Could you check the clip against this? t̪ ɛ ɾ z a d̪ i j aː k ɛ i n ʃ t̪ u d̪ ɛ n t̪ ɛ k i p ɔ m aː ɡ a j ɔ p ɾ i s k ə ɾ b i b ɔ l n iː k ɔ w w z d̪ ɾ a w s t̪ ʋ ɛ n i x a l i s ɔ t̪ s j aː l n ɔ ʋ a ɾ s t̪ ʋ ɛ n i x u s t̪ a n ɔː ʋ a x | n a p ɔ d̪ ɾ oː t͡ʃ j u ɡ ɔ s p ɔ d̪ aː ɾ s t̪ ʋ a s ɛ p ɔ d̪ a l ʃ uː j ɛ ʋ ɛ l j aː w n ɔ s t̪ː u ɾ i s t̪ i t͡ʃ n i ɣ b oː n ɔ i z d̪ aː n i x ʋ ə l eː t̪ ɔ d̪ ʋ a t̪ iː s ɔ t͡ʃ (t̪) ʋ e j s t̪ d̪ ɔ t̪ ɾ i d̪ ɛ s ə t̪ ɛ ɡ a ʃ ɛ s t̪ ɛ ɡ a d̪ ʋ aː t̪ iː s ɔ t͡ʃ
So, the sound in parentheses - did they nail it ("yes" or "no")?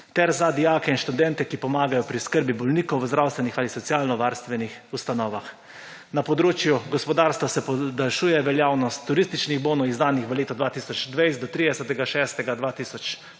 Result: no